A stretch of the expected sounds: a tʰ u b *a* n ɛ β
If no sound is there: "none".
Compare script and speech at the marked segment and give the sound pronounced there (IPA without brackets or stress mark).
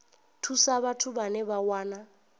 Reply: a